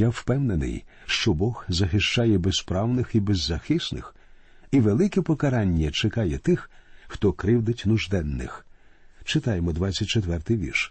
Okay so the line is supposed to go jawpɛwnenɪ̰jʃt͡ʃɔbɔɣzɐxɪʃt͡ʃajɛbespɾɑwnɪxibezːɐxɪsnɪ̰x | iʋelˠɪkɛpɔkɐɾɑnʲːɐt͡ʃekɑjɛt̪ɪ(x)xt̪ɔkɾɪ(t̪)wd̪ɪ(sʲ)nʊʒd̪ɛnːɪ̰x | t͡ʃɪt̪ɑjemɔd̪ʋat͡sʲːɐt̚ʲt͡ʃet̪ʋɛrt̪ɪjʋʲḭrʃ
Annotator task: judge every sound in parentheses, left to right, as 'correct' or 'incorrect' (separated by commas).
correct, incorrect, incorrect